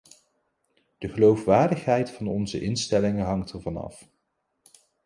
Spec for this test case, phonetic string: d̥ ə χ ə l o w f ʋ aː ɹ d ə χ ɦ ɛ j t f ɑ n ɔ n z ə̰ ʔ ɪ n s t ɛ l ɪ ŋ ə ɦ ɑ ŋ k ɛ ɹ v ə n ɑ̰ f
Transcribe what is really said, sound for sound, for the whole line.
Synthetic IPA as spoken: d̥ ə χ ə l o w f ʋ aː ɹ d ə χ ɦ ɛ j t f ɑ n ɔ n z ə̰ ʔ ɪ n s t ɛ l ɪ ŋ ə ɦ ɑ ŋ t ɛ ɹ v ɑ n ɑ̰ f